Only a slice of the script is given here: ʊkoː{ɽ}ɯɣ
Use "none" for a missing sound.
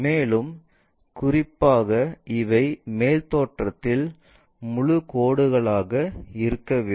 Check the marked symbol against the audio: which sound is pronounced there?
ɽ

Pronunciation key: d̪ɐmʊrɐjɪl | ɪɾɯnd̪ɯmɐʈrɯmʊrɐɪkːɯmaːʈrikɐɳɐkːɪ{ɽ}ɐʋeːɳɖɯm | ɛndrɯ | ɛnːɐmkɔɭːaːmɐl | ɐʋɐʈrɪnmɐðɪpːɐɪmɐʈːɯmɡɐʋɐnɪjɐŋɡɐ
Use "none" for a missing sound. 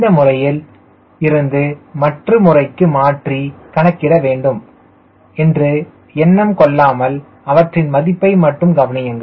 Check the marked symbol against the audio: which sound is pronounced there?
r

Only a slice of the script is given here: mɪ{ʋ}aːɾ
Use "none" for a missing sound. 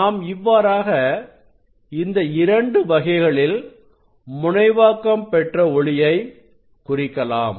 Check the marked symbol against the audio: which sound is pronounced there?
ʋː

